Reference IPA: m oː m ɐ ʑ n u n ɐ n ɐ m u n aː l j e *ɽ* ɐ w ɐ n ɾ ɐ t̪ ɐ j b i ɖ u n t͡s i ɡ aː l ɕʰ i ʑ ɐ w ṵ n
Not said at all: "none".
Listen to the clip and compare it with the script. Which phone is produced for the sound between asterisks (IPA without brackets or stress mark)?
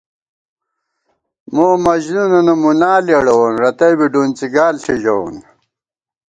ɽ